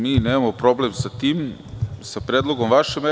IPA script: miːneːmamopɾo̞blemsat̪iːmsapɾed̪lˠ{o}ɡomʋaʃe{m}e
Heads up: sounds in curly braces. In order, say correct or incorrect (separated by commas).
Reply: correct, correct